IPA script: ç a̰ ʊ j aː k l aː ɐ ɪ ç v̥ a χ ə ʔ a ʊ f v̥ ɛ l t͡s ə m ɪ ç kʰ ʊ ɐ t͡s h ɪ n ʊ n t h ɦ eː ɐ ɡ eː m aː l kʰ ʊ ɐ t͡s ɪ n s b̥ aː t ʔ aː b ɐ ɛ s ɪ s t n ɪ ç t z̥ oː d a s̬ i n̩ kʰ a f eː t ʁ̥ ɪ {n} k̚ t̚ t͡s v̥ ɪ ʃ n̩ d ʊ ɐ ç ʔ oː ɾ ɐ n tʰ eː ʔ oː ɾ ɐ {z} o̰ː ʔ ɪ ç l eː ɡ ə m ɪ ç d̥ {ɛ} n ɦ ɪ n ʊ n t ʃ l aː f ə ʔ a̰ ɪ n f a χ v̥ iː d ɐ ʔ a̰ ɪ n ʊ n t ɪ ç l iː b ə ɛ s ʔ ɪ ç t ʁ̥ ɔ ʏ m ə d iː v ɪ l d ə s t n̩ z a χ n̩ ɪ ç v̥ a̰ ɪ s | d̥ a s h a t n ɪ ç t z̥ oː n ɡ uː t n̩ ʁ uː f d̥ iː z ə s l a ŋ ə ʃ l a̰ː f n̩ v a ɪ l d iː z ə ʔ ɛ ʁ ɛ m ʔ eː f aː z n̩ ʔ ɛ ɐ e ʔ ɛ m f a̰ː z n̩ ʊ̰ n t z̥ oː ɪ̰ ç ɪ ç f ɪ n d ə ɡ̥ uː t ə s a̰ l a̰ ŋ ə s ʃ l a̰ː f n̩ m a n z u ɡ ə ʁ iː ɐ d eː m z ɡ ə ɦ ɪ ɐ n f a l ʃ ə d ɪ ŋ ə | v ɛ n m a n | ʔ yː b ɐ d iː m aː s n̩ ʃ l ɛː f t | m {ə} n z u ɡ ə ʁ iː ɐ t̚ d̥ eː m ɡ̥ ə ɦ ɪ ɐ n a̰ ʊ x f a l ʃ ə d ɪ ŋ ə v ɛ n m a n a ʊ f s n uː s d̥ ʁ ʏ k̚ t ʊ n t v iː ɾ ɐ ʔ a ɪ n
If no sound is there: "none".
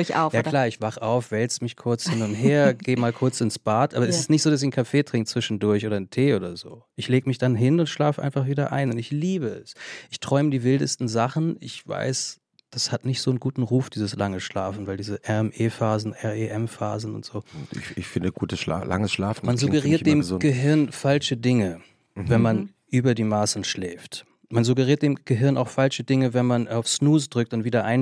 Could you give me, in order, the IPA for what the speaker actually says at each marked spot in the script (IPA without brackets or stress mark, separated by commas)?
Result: ŋ, z, a, a